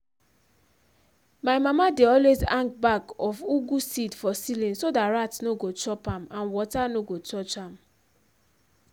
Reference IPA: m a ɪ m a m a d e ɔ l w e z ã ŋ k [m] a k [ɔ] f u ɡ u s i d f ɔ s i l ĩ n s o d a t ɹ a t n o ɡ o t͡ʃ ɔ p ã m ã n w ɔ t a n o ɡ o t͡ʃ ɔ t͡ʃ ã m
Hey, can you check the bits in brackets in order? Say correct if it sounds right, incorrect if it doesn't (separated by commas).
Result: incorrect, correct